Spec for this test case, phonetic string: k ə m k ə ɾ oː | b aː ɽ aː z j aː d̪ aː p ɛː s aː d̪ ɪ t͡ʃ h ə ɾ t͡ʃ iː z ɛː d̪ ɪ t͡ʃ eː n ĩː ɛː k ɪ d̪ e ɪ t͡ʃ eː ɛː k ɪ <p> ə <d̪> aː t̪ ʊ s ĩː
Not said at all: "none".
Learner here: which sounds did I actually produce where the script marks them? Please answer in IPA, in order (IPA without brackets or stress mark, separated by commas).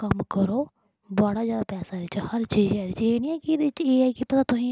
p, t̪